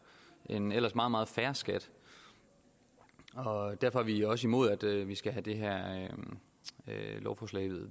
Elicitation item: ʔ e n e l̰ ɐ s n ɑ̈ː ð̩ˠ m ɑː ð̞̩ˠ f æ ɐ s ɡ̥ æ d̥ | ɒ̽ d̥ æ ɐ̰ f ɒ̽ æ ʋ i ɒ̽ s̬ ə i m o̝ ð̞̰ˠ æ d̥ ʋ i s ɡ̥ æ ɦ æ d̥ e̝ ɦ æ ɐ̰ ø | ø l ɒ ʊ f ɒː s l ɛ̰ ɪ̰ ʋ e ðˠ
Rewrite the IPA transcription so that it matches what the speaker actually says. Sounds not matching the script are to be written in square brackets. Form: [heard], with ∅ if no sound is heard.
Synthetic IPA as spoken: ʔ e n e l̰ ɐ s [m] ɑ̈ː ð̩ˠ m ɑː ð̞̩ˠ f æ ɐ s ɡ̥ æ d̥ | ɒ̽ d̥ æ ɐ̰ f ɒ̽ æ ʋ i ɒ̽ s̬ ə i m o̝ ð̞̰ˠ æ d̥ ʋ i s ɡ̥ æ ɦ æ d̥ e̝ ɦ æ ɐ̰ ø | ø l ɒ ʊ f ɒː s l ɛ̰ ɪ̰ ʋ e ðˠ